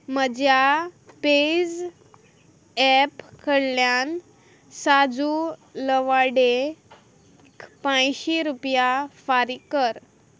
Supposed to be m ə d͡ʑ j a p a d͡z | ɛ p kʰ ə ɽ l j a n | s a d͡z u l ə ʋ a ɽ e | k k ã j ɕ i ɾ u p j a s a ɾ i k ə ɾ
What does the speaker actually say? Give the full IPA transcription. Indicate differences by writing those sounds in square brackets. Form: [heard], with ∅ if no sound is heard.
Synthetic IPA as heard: m ə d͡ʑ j a p [e] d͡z | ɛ p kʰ ə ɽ l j a n | s a d͡z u l ə ʋ a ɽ e | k [p] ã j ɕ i ɾ u p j a [f] a ɾ i k ə ɾ